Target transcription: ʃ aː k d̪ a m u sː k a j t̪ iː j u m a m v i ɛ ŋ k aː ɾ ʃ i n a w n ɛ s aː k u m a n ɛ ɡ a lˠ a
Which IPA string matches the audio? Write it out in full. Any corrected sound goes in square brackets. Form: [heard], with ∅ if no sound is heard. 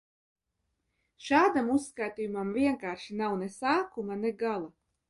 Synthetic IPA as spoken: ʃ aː [∅] d̪ a m u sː k a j t̪ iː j u m a m v i ɛ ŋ k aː ɾ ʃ i n a w n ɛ s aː k u m a n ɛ ɡ a lˠ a